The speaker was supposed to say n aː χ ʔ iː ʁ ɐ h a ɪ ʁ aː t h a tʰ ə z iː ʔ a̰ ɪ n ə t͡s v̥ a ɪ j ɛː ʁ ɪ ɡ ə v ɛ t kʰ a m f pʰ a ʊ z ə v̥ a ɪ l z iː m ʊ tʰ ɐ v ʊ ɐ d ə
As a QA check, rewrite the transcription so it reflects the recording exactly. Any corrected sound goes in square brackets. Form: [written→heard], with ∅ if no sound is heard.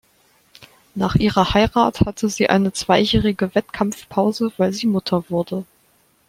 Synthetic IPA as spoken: n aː χ ʔ iː ʁ ɐ h a ɪ ʁ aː t h a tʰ ə z iː ʔ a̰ ɪ n ə t͡s v̥ a ɪ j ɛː ʁ ɪ ɡ ə v ɛ t kʰ a m f pʰ a ʊ z ə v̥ a ɪ l z iː m ʊ tʰ ɐ v ʊ ɐ d ə